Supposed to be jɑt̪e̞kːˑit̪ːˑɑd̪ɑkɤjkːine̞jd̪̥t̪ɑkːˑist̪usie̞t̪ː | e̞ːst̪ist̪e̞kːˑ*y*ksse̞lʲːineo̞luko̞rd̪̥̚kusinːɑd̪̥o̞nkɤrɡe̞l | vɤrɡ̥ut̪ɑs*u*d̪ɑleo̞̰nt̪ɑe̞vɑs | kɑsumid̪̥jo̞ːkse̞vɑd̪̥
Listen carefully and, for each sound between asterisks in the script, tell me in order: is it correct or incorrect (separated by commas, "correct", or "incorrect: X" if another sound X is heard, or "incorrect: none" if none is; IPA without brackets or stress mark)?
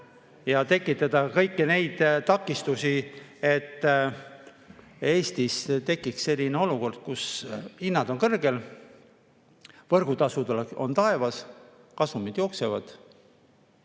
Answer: incorrect: i, correct